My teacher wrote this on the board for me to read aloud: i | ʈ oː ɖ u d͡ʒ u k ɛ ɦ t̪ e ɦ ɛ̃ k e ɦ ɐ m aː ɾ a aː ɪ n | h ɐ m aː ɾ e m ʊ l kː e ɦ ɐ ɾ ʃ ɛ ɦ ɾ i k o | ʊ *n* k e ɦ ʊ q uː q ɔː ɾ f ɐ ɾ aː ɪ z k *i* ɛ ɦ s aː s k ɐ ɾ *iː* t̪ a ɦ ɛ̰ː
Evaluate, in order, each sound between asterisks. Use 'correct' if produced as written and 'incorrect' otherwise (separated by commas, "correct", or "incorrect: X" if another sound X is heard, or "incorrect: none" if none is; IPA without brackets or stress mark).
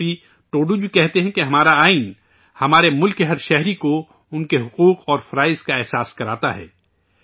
correct, incorrect: a, incorrect: aː